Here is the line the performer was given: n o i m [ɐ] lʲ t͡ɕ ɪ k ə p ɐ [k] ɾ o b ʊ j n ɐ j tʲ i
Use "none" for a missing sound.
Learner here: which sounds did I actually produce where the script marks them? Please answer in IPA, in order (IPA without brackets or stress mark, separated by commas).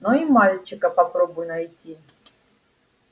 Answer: a, p